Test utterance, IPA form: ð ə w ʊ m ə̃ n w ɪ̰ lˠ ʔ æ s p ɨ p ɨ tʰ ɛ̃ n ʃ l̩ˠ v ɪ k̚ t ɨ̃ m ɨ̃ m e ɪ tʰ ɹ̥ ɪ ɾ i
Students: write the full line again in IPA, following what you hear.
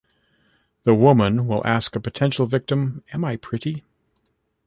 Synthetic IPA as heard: ð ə w ʊ m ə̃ n w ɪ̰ lˠ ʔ æ s k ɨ p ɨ tʰ ɛ̃ n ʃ l̩ˠ v ɪ k̚ t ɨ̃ m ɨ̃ m a ɪ pʰ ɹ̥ ɪ ɾ i